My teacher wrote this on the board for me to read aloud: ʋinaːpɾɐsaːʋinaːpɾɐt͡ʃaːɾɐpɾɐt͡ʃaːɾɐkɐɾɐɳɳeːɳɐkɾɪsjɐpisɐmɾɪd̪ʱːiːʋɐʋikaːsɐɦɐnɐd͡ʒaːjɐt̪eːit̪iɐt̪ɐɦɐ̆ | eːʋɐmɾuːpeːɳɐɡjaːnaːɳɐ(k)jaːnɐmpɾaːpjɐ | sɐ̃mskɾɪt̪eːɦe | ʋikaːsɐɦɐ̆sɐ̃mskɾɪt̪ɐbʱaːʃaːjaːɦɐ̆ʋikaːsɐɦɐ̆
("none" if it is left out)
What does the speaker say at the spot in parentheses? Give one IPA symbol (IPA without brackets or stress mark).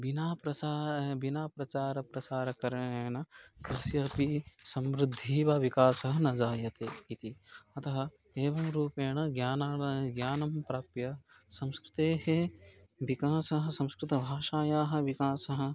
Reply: ɡ